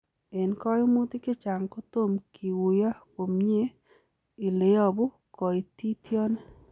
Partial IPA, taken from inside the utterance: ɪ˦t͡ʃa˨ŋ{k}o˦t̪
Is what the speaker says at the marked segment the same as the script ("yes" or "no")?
yes